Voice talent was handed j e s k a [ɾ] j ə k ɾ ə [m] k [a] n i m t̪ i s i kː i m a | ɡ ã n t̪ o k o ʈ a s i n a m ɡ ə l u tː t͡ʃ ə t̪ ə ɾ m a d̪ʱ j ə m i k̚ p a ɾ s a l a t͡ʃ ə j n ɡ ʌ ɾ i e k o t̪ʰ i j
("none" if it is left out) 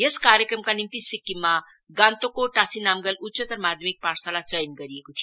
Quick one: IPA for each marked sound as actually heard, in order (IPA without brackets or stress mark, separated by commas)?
ɾ, m, a